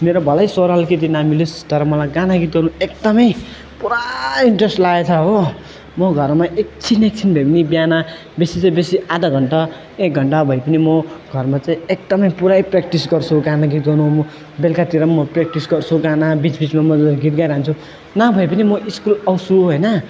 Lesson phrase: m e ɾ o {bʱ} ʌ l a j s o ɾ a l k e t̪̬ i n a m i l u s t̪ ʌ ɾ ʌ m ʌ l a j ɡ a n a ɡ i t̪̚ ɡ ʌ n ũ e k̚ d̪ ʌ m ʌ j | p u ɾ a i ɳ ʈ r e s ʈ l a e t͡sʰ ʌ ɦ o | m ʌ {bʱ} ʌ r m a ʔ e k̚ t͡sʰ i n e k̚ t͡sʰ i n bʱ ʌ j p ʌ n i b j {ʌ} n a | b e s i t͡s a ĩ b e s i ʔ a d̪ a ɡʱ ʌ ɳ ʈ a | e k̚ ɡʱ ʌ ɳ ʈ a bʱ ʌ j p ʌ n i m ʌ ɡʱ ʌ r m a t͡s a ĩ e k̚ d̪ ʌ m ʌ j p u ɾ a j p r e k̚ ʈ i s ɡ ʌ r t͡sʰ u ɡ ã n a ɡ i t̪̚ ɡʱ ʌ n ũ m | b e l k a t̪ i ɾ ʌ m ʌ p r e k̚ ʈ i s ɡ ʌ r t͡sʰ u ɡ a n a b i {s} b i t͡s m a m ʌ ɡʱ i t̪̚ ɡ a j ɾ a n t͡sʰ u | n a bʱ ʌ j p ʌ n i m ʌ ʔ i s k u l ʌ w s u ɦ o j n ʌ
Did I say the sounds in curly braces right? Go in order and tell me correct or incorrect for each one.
correct, incorrect, incorrect, incorrect

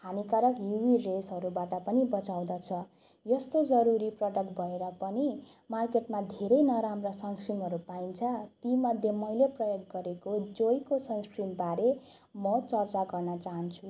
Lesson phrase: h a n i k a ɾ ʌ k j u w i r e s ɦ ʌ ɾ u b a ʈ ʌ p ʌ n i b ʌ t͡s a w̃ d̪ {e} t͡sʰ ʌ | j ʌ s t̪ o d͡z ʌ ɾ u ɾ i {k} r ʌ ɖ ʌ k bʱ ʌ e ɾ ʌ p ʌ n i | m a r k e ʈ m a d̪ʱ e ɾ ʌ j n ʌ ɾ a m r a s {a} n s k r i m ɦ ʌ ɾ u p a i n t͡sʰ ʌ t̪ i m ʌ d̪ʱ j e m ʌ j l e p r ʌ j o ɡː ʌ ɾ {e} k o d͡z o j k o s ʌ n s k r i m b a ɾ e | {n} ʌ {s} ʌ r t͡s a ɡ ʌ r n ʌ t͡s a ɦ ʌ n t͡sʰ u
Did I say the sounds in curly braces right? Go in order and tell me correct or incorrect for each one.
incorrect, incorrect, incorrect, correct, incorrect, incorrect

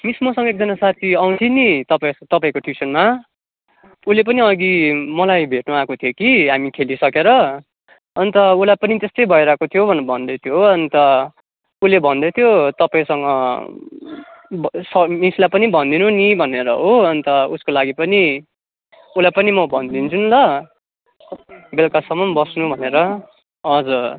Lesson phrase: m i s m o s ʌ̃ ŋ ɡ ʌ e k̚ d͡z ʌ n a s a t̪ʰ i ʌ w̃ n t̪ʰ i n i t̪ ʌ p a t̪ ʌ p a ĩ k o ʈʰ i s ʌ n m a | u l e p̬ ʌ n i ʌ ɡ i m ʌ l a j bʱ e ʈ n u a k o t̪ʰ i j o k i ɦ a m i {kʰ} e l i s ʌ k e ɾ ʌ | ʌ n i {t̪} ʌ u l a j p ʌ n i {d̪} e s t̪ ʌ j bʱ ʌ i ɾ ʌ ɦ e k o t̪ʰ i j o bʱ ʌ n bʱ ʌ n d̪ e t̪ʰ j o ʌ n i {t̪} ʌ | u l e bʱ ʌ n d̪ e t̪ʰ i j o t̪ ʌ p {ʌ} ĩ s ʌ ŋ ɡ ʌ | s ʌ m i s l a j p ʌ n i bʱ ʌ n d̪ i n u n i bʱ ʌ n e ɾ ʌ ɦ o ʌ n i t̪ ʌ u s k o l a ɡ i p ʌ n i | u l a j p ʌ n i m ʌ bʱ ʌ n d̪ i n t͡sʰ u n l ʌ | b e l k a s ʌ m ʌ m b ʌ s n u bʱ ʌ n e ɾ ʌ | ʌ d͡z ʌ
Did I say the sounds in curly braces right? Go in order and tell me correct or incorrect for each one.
correct, correct, incorrect, correct, incorrect

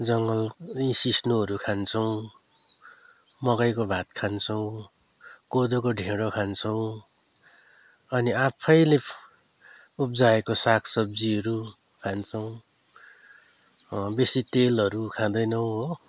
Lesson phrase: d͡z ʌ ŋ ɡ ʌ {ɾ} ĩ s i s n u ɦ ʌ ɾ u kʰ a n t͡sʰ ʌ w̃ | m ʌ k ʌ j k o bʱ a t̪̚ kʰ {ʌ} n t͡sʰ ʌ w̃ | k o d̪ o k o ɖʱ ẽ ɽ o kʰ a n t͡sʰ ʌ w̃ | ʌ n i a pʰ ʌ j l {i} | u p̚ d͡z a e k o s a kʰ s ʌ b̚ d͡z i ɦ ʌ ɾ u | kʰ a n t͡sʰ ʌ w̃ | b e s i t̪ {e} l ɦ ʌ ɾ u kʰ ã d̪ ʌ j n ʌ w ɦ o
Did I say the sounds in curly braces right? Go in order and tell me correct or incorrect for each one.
incorrect, incorrect, incorrect, correct

